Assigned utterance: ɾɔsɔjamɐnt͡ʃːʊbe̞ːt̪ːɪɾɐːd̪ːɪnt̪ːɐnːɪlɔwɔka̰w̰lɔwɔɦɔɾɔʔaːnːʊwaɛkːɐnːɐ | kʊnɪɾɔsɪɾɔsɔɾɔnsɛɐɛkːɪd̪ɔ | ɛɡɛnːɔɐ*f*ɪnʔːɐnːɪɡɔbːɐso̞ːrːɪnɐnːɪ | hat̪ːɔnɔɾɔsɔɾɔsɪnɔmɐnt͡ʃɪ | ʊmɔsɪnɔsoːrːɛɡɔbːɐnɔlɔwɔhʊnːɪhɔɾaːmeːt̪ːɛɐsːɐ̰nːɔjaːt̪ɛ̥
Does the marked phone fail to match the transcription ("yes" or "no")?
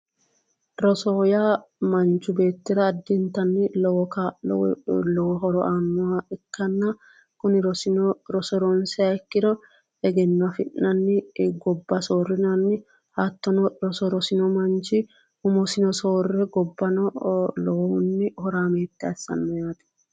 no